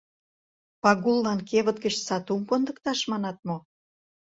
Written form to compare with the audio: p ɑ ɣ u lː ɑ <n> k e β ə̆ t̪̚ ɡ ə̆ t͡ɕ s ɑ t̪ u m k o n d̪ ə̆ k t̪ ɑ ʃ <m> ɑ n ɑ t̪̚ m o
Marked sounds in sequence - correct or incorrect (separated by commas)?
correct, correct